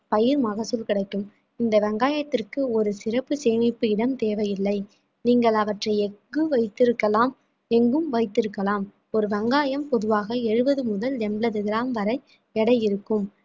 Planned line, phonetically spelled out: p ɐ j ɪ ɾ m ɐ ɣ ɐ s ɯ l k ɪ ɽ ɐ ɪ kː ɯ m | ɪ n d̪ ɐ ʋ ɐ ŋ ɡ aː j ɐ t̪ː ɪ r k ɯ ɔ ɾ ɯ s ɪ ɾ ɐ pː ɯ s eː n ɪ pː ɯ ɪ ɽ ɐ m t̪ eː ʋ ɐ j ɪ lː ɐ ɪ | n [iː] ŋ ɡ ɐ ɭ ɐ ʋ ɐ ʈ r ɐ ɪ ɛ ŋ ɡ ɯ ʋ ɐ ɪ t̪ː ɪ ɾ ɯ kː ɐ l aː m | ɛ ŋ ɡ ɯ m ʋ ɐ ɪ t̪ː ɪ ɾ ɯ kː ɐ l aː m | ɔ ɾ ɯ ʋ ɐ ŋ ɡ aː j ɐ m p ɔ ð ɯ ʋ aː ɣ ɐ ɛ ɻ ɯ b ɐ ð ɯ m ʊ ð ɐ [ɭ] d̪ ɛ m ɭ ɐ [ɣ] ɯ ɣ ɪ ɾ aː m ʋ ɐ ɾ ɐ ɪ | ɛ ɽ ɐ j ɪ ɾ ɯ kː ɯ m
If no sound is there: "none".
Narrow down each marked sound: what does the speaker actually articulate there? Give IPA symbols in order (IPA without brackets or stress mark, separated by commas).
iː, l, ð